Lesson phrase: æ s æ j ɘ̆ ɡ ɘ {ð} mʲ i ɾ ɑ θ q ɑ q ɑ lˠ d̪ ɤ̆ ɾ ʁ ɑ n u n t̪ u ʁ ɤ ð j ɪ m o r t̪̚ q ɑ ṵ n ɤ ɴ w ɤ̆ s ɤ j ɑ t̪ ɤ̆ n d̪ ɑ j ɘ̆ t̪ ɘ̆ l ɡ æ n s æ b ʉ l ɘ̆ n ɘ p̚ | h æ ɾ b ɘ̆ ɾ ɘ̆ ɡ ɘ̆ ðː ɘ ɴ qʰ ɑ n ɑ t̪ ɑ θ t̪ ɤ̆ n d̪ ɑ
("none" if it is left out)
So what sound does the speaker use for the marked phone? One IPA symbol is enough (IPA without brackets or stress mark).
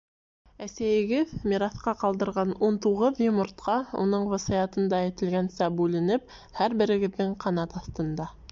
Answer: ð